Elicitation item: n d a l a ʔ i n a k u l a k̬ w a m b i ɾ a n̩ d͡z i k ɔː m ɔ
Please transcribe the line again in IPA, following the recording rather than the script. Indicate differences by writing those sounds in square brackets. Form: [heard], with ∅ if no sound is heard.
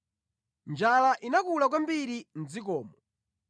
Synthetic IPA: n [d͡ʒ] a l a ʔ i n a k u l a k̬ w a m b i ɾ [i] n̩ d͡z i k ɔː m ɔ